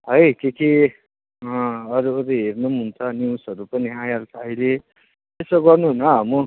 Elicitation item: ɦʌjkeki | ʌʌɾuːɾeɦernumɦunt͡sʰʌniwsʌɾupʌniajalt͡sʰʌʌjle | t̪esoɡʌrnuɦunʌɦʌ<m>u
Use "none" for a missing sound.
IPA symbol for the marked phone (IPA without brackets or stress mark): m